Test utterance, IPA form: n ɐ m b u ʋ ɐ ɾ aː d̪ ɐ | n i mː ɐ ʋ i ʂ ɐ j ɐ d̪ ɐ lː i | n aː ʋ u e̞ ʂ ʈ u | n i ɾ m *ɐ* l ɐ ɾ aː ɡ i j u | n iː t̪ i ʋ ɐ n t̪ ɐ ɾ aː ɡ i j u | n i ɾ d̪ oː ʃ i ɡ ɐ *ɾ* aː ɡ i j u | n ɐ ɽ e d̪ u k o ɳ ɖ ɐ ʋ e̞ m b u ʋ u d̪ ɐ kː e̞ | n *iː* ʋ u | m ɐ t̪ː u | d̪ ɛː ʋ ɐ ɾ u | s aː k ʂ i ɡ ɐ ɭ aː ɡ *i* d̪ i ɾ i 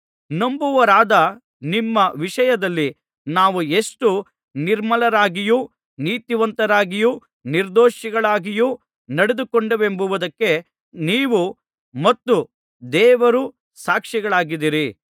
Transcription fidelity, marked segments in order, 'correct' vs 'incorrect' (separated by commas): correct, incorrect, correct, correct